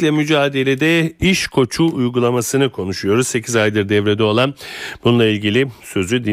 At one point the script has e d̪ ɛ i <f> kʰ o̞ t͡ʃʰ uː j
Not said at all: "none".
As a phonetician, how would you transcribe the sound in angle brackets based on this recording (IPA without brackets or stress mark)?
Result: ʃ